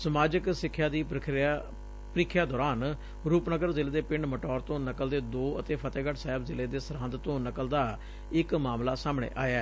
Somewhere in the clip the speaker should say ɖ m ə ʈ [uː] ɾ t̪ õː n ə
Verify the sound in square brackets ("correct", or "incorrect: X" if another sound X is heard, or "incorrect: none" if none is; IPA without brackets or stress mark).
incorrect: ɔː